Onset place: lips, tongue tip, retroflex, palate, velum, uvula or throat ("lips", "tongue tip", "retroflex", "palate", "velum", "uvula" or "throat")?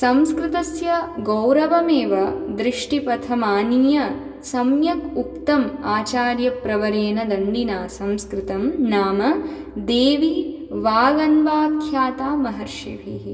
tongue tip